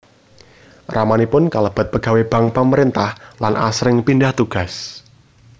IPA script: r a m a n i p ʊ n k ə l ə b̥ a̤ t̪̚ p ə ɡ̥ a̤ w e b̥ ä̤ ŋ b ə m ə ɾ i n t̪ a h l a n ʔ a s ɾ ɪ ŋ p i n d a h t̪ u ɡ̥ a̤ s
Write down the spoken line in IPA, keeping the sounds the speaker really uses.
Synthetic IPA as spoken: r a m a n i p ʊ n k a l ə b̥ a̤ t̪̚ p ə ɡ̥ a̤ w e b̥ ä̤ ŋ p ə m ə ɾ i n t̪ a h l a n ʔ a s ɾ ɪ ŋ p i n d a h t̪ u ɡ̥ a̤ s